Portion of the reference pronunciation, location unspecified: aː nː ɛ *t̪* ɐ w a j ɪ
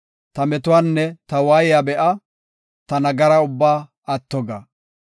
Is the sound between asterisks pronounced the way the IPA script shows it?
yes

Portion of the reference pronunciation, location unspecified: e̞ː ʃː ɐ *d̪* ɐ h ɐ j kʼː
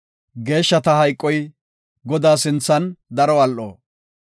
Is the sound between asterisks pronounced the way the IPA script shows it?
no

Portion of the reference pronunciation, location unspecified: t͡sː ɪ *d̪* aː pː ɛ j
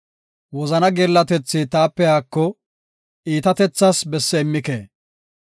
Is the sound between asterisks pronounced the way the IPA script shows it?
no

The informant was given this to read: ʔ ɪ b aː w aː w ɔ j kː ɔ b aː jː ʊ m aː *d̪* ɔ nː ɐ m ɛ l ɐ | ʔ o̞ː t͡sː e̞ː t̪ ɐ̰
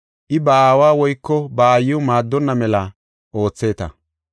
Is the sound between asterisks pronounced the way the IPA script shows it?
no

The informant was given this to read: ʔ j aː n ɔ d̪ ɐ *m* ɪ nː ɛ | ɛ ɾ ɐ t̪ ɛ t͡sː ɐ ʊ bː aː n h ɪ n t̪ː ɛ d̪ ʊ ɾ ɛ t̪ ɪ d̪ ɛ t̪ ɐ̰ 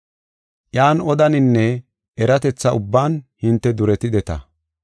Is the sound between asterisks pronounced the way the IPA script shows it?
no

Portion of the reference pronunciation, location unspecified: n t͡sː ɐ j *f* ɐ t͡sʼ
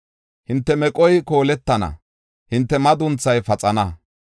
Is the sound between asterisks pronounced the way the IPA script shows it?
yes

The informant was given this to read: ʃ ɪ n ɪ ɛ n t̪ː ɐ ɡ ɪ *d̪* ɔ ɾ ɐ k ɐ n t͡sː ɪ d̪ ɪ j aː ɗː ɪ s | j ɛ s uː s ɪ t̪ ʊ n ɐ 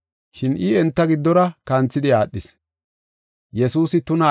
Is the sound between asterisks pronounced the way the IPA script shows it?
no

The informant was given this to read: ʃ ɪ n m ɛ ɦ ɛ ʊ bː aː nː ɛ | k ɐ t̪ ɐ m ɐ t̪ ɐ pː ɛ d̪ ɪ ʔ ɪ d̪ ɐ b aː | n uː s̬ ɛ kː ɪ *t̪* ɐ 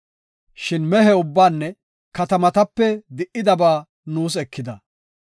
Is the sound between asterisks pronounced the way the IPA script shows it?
no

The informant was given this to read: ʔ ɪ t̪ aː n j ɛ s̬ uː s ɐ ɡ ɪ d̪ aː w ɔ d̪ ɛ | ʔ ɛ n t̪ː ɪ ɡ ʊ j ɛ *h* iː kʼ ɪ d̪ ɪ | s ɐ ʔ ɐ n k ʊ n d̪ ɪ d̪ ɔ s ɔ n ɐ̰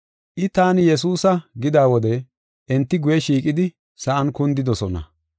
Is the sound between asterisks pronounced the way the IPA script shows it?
no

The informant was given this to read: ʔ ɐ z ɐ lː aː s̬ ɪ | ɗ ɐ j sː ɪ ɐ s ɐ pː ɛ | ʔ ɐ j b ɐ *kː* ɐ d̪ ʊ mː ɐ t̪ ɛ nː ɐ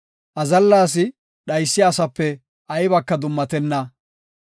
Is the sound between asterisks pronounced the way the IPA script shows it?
yes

